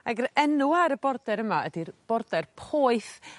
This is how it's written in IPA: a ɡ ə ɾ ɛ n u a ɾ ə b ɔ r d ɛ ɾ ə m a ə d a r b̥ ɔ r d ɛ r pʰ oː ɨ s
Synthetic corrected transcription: a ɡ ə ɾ ɛ n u a ɾ ə b ɔ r d ɛ ɾ ə m a ə d i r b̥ ɔ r d ɛ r pʰ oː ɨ θ